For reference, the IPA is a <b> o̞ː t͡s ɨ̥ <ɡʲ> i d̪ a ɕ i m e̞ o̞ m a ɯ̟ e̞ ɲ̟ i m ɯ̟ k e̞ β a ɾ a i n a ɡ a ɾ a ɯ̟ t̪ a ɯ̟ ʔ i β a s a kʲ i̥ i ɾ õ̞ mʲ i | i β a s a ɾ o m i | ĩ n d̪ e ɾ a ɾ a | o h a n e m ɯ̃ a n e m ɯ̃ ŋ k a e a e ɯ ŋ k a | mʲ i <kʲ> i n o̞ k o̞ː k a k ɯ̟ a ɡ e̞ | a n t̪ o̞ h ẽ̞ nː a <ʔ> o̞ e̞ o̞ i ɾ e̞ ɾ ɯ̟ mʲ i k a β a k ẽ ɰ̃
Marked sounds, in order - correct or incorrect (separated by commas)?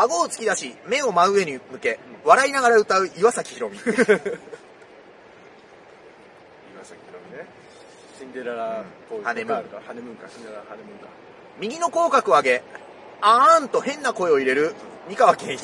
incorrect, incorrect, incorrect, incorrect